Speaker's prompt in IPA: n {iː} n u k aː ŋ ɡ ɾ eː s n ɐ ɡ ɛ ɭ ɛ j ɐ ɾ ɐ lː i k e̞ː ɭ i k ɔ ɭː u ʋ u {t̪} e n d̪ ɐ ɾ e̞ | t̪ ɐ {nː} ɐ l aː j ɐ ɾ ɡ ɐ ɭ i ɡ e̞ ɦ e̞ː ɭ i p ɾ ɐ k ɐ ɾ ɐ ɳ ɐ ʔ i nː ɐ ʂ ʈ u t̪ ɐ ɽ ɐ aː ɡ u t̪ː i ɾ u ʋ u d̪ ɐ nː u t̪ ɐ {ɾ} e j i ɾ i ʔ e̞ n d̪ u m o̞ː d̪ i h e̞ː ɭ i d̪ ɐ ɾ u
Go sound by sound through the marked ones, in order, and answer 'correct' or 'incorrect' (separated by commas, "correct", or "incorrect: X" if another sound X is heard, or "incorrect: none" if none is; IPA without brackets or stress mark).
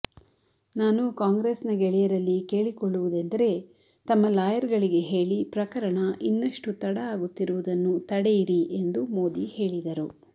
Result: incorrect: aː, incorrect: d̪, incorrect: mː, incorrect: ɽ